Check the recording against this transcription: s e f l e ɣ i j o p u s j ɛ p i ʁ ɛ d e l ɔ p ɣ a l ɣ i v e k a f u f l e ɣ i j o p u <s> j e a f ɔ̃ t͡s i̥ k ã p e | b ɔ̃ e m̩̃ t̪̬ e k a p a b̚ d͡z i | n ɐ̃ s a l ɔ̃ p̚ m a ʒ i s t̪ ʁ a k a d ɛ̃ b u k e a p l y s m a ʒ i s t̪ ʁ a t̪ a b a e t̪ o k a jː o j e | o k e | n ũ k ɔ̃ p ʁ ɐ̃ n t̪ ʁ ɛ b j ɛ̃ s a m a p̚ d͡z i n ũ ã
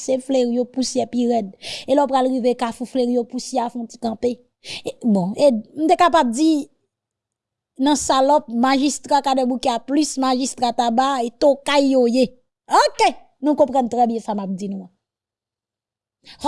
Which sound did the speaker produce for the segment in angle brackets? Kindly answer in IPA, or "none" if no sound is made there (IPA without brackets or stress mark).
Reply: s